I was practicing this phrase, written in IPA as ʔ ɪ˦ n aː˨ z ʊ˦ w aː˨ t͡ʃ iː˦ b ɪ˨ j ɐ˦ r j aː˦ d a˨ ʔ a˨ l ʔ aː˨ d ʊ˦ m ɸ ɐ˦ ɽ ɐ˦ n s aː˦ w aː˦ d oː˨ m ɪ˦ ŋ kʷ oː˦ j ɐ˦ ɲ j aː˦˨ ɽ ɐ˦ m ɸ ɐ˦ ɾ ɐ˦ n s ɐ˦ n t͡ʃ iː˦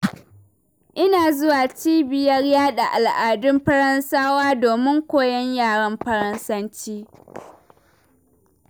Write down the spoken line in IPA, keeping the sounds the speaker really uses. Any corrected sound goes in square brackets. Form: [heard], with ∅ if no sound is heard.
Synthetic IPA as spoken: ʔ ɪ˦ n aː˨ z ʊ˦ w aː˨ t͡ʃ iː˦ b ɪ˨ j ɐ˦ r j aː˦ [ɗ] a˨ ʔ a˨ l ʔ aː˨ d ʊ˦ m ɸ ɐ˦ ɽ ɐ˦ n s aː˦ w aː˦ d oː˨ m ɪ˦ ŋ kʷ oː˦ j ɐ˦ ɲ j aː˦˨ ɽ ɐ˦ m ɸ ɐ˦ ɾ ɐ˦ n s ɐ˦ n t͡ʃ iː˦